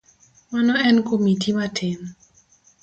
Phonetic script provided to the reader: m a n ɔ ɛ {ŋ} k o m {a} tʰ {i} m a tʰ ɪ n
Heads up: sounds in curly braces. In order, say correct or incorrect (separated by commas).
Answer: incorrect, incorrect, correct